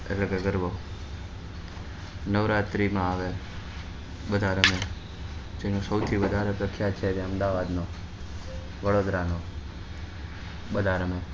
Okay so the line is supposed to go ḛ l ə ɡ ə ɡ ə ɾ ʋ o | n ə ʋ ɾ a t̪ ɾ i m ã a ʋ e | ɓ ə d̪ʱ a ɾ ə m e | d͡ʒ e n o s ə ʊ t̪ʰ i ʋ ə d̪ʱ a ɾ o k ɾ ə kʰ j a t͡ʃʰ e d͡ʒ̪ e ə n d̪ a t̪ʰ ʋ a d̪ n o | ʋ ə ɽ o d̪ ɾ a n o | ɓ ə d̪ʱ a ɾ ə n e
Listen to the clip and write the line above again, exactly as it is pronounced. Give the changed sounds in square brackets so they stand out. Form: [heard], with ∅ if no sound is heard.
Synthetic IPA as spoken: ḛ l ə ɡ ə ɡ ə ɾ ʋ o | n ə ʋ ɾ a t̪ ɾ i m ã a ʋ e | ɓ ə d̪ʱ a ɾ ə m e | d͡ʒ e n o s ə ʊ t̪ʰ i ʋ ə d̪ʱ a ɾ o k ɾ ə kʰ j a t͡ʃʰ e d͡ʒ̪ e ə [m] d̪ a [∅] ʋ a d̪ n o | ʋ ə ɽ o d̪ ɾ a n o | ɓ ə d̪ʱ a ɾ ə [m] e